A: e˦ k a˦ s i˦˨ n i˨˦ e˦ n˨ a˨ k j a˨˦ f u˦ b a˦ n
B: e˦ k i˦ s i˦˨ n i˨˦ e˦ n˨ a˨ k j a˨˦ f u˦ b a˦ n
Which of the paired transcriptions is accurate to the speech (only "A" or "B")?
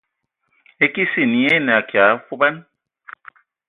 B